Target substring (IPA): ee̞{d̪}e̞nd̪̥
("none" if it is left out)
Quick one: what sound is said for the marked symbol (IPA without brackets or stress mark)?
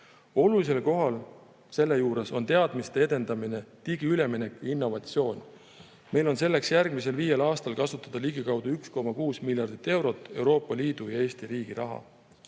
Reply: d̪